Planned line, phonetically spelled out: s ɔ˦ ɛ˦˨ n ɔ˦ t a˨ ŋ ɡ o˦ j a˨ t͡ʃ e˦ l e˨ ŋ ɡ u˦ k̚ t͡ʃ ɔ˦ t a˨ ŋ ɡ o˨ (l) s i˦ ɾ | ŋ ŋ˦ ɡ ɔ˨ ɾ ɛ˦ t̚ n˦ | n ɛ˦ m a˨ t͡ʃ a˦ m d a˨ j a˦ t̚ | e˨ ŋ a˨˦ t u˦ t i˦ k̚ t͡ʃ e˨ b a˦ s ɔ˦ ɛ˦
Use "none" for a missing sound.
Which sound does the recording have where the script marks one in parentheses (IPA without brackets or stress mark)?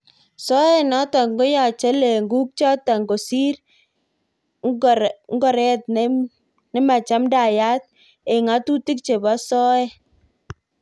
none